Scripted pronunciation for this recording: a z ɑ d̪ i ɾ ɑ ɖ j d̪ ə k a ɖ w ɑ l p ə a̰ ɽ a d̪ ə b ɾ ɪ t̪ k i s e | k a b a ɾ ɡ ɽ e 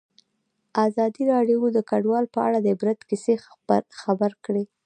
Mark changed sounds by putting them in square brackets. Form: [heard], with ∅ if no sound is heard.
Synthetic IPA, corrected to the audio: a z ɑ d̪ i ɾ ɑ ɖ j d̪ ə k a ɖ w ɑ l p ə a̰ ɽ a d̪ ə b ɾ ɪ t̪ k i s e | [x] a b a ɾ [k] ɽ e